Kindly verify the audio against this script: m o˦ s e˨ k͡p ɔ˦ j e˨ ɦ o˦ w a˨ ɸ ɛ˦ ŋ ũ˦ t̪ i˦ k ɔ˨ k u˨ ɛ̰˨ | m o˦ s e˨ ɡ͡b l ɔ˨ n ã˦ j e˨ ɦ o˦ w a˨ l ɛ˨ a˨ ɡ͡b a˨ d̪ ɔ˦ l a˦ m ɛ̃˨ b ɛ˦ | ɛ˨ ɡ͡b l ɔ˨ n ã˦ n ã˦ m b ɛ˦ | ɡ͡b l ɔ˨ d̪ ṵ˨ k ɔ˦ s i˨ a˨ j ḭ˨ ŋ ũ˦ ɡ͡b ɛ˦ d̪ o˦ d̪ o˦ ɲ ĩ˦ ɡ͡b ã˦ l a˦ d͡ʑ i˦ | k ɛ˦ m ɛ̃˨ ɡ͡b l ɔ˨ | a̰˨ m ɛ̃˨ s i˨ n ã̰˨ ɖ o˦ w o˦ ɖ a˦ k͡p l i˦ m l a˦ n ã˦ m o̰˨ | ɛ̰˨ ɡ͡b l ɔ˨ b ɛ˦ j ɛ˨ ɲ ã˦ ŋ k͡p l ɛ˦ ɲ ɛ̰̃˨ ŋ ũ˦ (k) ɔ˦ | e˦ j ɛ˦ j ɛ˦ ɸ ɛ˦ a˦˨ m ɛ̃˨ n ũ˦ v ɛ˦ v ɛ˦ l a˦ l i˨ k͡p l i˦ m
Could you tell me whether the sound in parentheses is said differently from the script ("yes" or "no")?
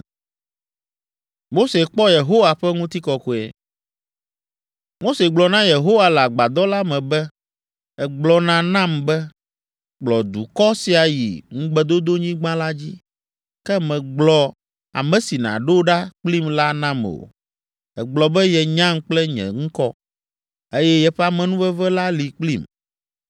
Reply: no